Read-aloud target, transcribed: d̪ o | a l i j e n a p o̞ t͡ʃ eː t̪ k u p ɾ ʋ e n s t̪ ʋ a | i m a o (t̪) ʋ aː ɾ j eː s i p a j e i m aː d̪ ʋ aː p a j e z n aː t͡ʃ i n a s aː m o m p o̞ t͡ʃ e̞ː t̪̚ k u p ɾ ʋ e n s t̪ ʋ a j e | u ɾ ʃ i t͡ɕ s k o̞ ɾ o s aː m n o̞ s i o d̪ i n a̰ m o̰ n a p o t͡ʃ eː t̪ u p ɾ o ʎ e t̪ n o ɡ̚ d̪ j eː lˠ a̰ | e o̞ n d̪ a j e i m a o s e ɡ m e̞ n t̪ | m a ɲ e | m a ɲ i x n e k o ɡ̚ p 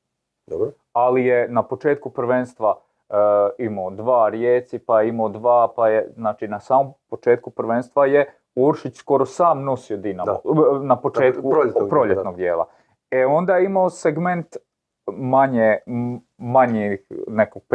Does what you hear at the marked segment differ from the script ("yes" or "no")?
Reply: yes